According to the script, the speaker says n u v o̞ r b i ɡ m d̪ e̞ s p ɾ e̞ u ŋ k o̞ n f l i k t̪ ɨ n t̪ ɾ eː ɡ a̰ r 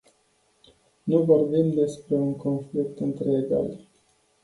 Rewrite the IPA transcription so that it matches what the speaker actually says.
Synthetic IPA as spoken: n u v o̞ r b i m d̪ e̞ s p ɾ e̞ u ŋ k o̞ n f l i k t̪ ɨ n t̪ ɾ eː ɡ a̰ l